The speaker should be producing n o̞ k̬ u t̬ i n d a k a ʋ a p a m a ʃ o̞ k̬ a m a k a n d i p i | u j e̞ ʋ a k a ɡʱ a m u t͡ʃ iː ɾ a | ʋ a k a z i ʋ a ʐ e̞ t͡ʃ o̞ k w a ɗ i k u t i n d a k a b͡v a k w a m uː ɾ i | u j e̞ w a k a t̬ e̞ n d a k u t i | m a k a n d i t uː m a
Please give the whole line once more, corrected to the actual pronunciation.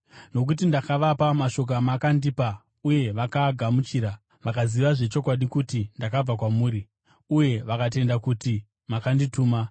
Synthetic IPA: n o̞ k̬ u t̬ i n d a k a ʋ a p a m a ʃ o̞ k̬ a m a k a n d i p a | u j e̞ ʋ a k a ɡʱ a m u t͡ʃ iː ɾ a | ʋ a k a z i ʋ a ʐ e̞ t͡ʃ o̞ k w a ɗ i k u t i n d a k a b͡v a k w a m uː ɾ i | u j e̞ ʋ a k a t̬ e̞ n d a k u t i | m a k a n d i t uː m a

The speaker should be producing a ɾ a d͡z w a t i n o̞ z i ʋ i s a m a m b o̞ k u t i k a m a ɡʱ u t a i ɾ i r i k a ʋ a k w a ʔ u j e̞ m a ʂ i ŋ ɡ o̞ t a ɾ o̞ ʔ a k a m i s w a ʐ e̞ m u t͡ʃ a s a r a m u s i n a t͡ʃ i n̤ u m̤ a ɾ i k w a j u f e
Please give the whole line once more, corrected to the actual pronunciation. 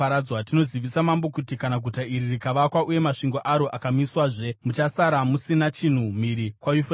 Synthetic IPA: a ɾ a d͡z w a t i n o̞ z i ʋ i s a m a m b o̞ k u t i k a n a ɡʱ u t a i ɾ i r i k a ʋ a k w a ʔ u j e̞ m a ʂ i ŋ ɡ o̞ ʔ a ɾ o̞ ʔ a k a m i s w a ʐ e̞ m u t͡ʃ a s a ɾ a m u s i n a t͡ʃ i n̤ u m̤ i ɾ i k w a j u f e

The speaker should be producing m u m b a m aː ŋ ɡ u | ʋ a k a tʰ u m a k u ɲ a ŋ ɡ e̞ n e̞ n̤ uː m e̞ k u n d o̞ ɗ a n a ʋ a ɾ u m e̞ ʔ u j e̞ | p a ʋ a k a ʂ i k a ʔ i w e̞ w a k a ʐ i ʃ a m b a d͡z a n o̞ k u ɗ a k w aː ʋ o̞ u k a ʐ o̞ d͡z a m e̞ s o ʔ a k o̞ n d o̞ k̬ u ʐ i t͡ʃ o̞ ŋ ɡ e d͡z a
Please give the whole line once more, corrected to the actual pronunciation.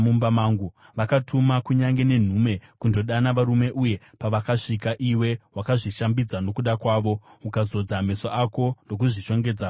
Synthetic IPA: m u m b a m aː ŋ ɡ u | ʋ a k a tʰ u m a k u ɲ a ŋ ɡ e̞ n e̞ n̤ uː m e̞ k u n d o̞ ɗ a n a ʋ a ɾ u m e̞ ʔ u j e̞ | p a ʋ a k a ʂ i k a ʔ i w e̞ w a k a ʐ i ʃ a m b i d͡z a n o̞ k u ɗ a k w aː ʋ o̞ u k a z o̞ d͡z a m e̞ s o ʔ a k o̞ n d o̞ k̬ u ʐ i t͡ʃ o̞ ŋ ɡ e d͡z a

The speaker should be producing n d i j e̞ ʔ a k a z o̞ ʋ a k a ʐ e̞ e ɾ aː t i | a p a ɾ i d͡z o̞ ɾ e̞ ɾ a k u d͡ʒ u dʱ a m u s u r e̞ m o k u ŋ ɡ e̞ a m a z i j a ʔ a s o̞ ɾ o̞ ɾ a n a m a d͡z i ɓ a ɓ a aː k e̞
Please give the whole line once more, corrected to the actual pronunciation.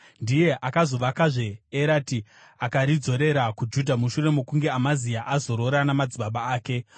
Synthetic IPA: n d i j e̞ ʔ a k a z o̞ ʋ a k a ʐ e̞ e ɾ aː t i | a k a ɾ i d͡z o̞ ɾ e̞ ɾ a k u d͡ʒ u dʱ a m u ʃ u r e̞ m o k u ŋ ɡ e̞ a m a z i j a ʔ a z o̞ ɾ o̞ ɾ a n a m a d͡z i ɓ a ɓ a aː k e̞

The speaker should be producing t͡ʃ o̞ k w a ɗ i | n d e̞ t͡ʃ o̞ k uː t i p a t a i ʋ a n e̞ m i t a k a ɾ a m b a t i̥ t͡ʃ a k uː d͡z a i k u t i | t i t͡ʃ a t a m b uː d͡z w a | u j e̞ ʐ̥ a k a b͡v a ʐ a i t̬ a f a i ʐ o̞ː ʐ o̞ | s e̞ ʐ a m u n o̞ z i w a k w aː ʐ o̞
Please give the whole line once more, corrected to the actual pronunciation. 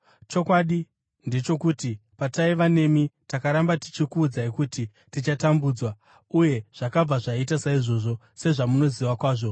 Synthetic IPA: t͡ʃ o̞ k w a ɗ i | n d e̞ t͡ʃ o̞ k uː t i p a t a i ʋ a n e̞ m i t a k a ɾ a m b a t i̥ t͡ʃ i k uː d͡z a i k u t i | t i t͡ʃ a t a m b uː d͡z w a | u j e̞ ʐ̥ a k a b͡v a ʐ a i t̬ a s a i ʐ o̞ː ʐ o̞ | s e̞ ʐ a m u n o̞ z i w a k w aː ʐ o̞

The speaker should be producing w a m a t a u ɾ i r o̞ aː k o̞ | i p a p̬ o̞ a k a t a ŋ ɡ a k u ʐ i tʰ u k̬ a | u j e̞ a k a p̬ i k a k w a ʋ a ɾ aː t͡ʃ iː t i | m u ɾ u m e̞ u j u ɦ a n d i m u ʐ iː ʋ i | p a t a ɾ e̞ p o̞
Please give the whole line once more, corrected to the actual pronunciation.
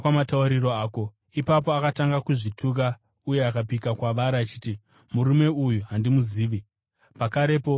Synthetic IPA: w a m a t a u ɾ i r o̞ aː k o̞ | i p a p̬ o̞ a k a t a ŋ ɡ a k u ʐ i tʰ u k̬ a | u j e̞ a k a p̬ i k a k w a ʋ a ɾ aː t͡ʃ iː t i | m u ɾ u m e̞ u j u ɦ a n d i m u z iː ʋ i | p a k a ɾ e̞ p o̞

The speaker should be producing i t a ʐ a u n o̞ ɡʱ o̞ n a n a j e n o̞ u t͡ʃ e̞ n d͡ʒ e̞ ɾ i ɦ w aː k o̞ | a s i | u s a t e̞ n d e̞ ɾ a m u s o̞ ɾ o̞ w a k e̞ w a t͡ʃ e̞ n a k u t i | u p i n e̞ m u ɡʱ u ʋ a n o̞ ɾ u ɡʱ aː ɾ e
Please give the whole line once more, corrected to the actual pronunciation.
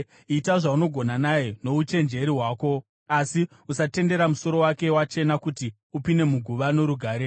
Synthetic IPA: i t a ʐ a u n o̞ ɡʱ o̞ n a n a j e n o̞ u t͡ʃ e̞ n d͡ʒ e̞ ɾ i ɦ w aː k o̞ | a s i | u s a t e̞ n d e̞ ɾ a m u s o̞ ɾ o̞ w a k e̞ w a t͡ʃ e̞ n a k u t i | u p i n e̞ m u ɡʱ u ʋ a n o̞ ɾ u ɡʱ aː ɾ e

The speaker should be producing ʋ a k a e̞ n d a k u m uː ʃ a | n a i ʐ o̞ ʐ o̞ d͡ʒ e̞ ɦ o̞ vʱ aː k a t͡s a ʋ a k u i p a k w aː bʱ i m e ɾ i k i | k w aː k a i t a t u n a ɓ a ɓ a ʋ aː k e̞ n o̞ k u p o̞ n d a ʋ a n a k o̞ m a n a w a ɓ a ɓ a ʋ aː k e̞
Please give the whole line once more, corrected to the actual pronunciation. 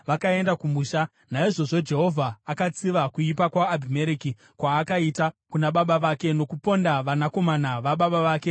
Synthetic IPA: ʋ a k a e̞ n d a k u m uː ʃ a | n a i ʐ o̞ ʐ o̞ d͡ʒ e̞ ɦ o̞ vʱ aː k a t͡s i ʋ a k u i p a k w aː bʱ i m e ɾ i k i | k w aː k a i t a k u n a ɓ a ɓ a ʋ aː k e̞ n o̞ k u p o̞ n d a ʋ a n a k o̞ m a n a ʋ a ɓ a ɓ a ʋ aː k e̞

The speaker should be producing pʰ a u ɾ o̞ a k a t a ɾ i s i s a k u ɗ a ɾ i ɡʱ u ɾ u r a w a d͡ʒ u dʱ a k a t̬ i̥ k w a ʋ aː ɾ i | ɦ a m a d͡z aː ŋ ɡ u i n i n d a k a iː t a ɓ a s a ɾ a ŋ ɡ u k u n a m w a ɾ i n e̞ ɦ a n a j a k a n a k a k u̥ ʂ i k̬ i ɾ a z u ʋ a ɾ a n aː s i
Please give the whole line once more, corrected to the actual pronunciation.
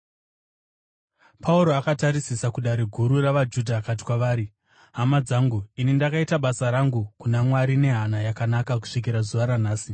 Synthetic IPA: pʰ a u ɾ o̞ a k a t a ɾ i s i s a k u ɗ a ɾ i ɡʱ u ɾ u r a ʋ a d͡ʒ u dʱ a k a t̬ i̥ k w a ʋ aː ɾ i | ɦ a m a d͡z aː ŋ ɡ u i n i n d a k a i t a ɓ a s a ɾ a ŋ ɡ u k u n a m w a ɾ i n e̞ ɦ a n a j a k a n a k a k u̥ ʂ i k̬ i ɾ a z u ʋ a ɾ a n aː s i

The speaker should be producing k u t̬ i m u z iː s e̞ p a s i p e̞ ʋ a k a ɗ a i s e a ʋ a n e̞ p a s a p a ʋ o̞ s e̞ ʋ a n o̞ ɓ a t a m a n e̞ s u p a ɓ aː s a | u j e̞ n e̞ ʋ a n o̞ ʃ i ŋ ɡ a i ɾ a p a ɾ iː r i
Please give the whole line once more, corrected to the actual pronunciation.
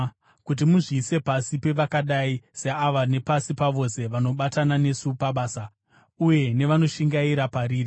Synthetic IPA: k u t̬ i m u ʐ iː s e̞ p a s i p e̞ ʋ a k a ɗ a i s e a ʋ a n e̞ p a s i p a ʋ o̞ s e̞ ʋ a n o̞ ɓ a t a n a n e̞ s u p a ɓ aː s a | u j e̞ n e̞ ʋ a n o̞ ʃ i ŋ ɡ a i ɾ a p a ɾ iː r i

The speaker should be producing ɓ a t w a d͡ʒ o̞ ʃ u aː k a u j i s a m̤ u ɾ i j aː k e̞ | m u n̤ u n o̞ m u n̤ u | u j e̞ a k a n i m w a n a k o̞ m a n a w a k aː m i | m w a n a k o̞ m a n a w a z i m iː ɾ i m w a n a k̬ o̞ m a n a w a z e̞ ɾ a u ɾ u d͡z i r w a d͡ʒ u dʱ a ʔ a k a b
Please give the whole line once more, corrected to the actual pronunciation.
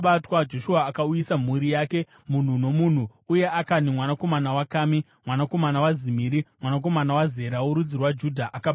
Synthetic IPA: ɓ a t w a d͡ʒ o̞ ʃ u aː k a u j i s a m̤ u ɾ i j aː k e̞ | m u n̤ u n o̞ m u n̤ u | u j e̞ a k a n i m w a n a k o̞ m a n a w a k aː m i | m w a n a k o̞ m a n a w a z i m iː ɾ i m w a n a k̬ o̞ m a n a w a z e̞ ɾ a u ɾ u d͡z i r w a d͡ʒ u dʱ a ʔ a k a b

